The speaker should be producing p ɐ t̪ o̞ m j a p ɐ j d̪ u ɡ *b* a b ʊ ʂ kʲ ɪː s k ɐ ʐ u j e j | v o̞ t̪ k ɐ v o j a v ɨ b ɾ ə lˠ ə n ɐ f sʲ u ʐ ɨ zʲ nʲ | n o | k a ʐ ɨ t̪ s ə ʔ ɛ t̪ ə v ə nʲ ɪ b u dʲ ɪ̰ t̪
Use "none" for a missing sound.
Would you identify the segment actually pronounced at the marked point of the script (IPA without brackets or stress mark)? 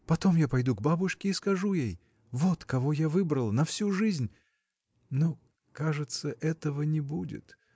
b